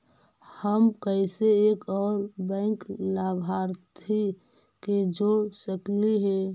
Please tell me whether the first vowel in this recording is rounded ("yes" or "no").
no